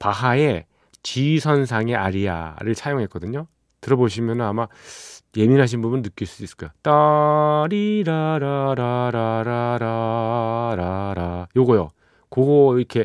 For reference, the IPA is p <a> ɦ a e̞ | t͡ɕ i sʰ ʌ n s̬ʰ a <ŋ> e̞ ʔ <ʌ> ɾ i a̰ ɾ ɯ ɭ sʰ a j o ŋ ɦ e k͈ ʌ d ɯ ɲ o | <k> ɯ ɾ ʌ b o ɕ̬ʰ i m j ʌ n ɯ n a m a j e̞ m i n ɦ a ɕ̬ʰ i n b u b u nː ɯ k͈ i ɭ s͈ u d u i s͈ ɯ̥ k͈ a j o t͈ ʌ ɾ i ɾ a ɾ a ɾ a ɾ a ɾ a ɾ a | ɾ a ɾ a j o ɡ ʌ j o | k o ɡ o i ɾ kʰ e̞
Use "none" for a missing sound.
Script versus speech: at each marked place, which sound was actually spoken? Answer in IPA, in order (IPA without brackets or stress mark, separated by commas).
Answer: a, ŋ, a, t